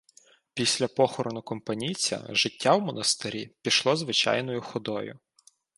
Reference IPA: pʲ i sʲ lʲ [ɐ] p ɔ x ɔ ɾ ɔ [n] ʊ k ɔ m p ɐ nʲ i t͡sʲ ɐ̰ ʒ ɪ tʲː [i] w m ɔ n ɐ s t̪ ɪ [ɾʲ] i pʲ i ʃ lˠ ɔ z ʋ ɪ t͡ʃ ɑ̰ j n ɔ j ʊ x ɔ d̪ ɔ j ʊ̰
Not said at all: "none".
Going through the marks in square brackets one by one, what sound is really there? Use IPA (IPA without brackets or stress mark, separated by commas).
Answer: ɐ, n, a, ɾʲ